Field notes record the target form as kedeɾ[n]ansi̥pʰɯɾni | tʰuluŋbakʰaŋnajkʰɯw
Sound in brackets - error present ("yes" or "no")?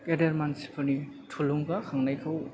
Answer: yes